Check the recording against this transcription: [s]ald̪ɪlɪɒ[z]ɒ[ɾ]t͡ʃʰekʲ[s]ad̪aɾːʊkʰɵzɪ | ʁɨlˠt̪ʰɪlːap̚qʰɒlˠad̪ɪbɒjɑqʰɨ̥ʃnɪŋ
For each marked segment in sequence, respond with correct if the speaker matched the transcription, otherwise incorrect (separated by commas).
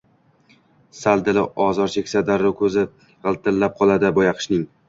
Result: correct, correct, correct, correct